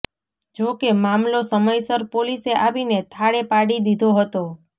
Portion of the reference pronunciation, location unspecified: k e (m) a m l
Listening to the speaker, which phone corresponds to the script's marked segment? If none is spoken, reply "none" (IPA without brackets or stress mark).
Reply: m